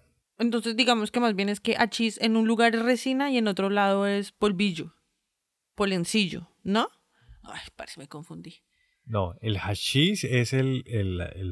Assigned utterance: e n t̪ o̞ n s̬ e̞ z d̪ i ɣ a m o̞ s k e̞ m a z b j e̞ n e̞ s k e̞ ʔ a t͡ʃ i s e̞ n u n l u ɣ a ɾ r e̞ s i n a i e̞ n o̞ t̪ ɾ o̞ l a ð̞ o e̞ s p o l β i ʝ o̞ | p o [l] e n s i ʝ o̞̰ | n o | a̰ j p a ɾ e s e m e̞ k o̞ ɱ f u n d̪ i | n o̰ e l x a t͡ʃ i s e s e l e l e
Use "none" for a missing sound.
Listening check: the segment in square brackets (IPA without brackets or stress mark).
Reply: l